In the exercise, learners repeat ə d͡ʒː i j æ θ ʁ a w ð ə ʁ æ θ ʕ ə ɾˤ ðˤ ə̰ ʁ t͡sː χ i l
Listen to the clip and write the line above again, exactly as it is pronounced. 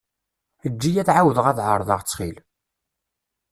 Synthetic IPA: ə d͡ʒː i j æ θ ʕ a w ð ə ʁ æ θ ʕ ə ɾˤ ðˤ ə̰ ʁ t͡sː χ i l